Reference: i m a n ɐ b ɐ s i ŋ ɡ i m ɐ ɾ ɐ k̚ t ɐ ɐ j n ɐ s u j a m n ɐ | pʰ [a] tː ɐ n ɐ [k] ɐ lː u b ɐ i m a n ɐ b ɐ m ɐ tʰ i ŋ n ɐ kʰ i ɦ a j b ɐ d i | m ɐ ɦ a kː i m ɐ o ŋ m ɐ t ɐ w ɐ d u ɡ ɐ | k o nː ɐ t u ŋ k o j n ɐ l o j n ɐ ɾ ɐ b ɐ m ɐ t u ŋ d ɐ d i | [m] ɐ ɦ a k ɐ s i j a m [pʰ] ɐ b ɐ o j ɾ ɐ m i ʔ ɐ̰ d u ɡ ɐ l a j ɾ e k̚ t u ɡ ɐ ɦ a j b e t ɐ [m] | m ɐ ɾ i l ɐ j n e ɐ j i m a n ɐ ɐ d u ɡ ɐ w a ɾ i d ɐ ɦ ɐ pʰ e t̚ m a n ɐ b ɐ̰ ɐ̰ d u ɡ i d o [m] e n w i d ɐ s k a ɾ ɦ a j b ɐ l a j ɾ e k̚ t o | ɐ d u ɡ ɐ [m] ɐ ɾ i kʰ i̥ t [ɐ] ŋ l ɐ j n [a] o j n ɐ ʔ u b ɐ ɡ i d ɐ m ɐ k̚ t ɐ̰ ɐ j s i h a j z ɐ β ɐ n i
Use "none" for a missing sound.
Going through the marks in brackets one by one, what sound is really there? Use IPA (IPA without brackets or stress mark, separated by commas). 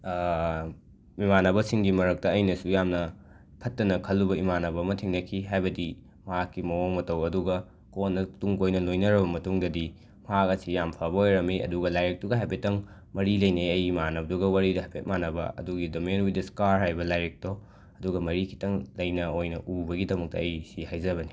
ɐ, kʰ, m, pʰ, ŋ, m, m, ɐ, ɐ